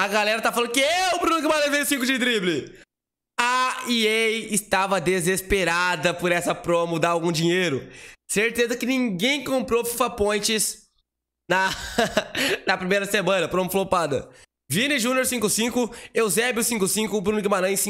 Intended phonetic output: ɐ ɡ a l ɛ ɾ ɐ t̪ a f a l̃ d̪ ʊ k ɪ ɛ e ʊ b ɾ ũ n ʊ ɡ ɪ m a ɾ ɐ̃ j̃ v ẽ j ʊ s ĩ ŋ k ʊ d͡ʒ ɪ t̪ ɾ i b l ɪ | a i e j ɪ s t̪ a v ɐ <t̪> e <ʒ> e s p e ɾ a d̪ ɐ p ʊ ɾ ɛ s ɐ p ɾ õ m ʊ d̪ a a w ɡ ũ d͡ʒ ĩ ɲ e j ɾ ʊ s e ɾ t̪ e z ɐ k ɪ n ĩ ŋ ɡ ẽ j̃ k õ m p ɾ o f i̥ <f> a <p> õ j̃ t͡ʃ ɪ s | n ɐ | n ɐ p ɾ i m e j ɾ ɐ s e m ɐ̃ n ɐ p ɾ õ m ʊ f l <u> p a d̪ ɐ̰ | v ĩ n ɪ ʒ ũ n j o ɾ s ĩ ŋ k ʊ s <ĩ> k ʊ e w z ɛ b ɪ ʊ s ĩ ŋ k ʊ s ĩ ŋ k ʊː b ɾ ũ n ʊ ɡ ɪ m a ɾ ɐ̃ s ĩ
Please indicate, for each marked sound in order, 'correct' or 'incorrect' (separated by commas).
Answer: incorrect, incorrect, correct, correct, incorrect, correct